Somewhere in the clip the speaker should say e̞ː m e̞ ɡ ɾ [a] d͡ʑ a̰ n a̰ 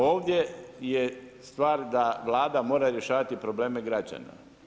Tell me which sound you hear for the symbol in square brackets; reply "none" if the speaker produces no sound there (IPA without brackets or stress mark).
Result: a